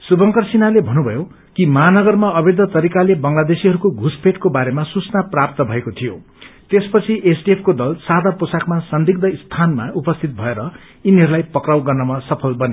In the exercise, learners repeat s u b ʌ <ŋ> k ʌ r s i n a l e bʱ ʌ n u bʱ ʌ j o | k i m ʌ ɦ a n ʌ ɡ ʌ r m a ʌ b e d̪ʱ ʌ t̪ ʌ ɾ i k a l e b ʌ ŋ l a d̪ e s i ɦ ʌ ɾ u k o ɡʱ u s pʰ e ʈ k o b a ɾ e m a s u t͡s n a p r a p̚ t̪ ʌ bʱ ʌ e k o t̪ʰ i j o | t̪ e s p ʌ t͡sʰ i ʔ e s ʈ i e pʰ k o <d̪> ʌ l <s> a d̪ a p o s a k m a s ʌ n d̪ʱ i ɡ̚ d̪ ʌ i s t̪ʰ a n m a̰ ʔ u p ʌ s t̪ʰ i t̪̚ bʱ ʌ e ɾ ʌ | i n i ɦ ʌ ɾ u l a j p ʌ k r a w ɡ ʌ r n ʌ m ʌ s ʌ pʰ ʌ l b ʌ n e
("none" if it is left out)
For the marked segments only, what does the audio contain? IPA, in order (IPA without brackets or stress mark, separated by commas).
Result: ŋ, d̪, s